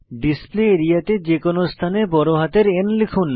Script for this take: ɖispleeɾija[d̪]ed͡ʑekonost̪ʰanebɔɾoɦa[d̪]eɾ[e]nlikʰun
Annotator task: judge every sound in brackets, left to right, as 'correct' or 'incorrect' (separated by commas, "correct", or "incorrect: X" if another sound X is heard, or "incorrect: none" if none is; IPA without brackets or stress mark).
incorrect: t̪, incorrect: t̪, correct